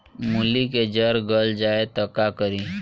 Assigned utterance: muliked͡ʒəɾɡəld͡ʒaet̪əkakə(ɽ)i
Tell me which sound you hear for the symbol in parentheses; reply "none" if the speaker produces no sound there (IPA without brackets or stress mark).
ɾ